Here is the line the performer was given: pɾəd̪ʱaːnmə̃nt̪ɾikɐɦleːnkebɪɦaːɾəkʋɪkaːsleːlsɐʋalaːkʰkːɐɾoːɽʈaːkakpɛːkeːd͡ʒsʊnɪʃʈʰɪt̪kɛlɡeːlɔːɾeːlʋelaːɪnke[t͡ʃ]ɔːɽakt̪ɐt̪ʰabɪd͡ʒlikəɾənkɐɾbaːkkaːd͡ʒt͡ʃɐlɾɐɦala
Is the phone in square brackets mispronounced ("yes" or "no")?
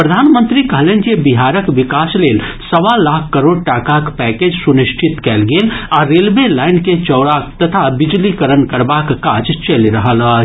no